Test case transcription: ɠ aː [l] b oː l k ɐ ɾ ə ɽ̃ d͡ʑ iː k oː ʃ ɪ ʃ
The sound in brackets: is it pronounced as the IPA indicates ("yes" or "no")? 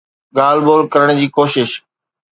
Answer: yes